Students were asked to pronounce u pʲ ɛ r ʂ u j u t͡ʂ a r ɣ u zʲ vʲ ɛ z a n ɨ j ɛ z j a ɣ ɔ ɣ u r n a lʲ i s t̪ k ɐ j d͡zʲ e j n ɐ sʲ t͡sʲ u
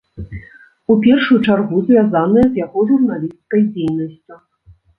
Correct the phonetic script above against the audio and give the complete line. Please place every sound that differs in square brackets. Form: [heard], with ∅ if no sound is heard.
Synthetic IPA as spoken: u pʲ ɛ r ʂ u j u t͡ʂ a r ɣ u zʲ vʲ [a] z a n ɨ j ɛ z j a ɣ ɔ [ʐ] u r n a lʲ i s t̪ k ɐ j d͡zʲ e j n ɐ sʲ t͡sʲ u